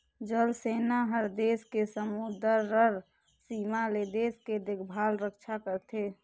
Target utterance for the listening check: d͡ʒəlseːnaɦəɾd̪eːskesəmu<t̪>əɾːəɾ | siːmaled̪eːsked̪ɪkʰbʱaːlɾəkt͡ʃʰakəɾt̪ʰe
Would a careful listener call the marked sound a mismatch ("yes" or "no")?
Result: yes